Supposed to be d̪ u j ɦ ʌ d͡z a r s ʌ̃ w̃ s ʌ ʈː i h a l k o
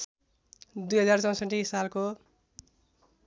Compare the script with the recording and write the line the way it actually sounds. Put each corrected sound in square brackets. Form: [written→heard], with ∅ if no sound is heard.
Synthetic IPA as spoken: d̪ u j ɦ ʌ d͡z a r [s→t͡s] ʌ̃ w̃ s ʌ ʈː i [h→s] a l k o